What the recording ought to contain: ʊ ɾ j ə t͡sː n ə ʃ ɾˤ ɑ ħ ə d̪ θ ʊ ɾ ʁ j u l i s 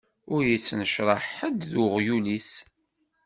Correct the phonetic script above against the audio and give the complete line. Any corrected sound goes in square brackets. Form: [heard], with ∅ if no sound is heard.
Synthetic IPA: ʊ ɾ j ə t͡sː n ə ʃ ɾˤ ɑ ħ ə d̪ [ð] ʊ [∅] ʁ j u l i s